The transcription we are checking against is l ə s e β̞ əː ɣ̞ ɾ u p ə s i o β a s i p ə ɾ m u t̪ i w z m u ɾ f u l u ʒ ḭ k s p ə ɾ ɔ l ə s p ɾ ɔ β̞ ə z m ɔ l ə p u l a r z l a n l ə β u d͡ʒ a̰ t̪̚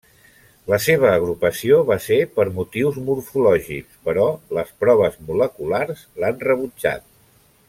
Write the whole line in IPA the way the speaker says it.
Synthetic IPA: l ə s e β̞ əː ɣ̞ ɾ u p ə s i o β a s e p ə ɾ m u t̪ i w z m u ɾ f u l ɔ ʒ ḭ k s p ə ɾ ɔ l ə s p ɾ ɔ β̞ ə z m u l ə k u l a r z l a n r ə β u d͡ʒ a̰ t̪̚